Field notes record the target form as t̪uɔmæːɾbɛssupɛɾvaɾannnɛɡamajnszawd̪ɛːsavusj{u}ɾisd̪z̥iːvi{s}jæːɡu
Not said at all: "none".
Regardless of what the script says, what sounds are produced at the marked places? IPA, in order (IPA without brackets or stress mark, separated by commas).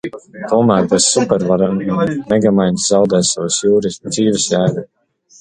uː, s